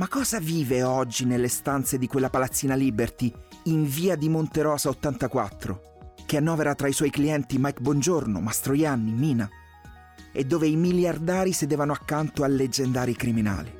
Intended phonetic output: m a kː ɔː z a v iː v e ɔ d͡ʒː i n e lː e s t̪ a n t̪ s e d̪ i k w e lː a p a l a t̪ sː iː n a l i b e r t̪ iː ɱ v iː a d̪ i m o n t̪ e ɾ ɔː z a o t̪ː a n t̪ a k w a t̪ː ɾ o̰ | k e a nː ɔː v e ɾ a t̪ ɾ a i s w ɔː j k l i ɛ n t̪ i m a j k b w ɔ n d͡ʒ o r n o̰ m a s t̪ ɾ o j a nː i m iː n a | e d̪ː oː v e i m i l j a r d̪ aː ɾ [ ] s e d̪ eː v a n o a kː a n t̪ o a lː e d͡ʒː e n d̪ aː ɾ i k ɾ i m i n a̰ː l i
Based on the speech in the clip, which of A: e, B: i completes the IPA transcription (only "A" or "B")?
B